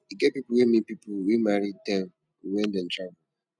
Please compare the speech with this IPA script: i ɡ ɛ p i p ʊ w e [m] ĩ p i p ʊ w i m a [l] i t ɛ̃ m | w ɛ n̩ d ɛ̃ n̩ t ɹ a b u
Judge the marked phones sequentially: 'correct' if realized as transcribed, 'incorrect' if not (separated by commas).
correct, incorrect